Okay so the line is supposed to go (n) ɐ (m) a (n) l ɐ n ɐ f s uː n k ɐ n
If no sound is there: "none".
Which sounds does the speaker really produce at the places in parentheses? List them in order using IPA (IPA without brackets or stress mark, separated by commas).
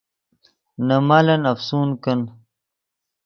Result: n, m, none